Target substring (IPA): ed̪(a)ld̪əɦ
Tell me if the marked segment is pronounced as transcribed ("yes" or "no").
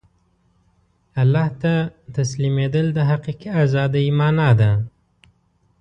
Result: no